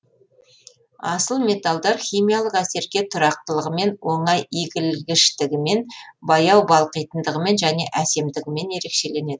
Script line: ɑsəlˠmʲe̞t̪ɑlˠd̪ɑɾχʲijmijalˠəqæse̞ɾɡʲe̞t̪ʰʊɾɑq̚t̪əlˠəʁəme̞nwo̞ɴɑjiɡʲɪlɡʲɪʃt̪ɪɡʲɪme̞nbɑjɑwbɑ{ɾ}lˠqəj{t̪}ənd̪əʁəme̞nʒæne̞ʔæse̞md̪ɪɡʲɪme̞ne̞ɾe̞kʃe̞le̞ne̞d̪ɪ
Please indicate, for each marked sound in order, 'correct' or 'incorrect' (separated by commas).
incorrect, correct